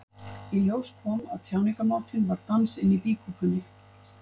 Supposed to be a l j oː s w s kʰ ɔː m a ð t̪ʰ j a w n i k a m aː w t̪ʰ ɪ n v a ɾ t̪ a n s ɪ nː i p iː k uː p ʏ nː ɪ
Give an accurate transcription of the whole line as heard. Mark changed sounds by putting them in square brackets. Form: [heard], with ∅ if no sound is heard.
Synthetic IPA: [i] l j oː [∅] w s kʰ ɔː m a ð t̪ʰ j a w n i k a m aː w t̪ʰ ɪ n v a ɾ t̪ a n s ɪ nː i p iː k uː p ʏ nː ɪ